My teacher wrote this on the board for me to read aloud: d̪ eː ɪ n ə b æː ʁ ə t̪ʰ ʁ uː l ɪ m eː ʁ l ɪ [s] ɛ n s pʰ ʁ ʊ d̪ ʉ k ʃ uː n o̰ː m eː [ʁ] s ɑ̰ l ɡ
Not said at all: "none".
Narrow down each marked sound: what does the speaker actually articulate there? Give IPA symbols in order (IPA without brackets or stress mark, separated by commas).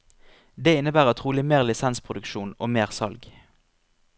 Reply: s, ʁ